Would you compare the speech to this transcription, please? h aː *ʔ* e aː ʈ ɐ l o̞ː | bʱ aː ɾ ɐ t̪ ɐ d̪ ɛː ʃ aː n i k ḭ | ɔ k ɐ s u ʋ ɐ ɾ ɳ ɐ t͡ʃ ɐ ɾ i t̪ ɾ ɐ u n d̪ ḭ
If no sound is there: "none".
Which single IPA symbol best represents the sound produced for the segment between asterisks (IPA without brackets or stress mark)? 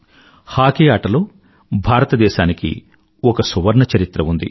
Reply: k